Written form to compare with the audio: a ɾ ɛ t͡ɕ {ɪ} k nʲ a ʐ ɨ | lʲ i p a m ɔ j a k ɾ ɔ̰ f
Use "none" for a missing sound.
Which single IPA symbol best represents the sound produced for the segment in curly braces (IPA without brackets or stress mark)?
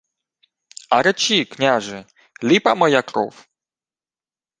i